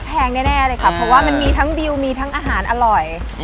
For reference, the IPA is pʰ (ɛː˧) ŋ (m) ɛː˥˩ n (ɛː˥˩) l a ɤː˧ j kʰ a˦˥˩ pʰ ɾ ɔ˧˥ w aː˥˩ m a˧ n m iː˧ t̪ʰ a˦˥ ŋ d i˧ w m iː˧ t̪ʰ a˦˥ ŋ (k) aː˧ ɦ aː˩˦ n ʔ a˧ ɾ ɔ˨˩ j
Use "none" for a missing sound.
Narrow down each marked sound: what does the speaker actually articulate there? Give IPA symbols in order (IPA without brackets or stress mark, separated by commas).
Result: ɛː˧, n, ɛː˥˩, ʔ